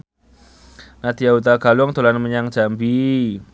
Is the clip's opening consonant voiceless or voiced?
voiced